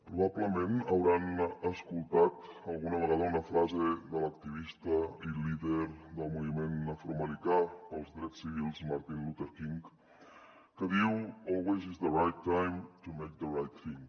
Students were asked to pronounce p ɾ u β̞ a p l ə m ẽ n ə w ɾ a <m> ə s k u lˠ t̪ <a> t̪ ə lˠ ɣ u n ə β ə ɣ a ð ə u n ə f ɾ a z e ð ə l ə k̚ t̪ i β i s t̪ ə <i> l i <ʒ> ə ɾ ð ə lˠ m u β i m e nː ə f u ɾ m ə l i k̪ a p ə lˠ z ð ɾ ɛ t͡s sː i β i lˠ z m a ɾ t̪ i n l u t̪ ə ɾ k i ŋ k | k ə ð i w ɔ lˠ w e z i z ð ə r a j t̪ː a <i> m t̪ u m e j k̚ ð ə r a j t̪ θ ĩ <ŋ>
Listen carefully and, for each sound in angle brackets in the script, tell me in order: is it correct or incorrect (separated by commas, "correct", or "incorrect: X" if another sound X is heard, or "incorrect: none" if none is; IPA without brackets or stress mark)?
incorrect: n, correct, correct, incorrect: ð, incorrect: j, correct